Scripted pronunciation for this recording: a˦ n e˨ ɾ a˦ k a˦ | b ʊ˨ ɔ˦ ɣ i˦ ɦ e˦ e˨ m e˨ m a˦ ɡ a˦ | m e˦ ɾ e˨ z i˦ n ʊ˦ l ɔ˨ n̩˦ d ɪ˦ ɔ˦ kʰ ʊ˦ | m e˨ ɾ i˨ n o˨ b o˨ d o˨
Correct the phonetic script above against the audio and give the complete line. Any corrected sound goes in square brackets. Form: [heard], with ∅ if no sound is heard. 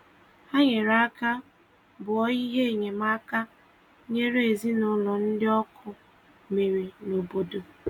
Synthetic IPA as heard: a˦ [ɲ] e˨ ɾ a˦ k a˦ | b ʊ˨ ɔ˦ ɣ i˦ ɦ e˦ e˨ [ɲ] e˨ m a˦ [k] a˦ | [ɲ] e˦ ɾ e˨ z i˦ n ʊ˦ l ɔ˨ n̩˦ d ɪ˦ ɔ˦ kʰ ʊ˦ | m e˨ ɾ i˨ n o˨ b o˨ d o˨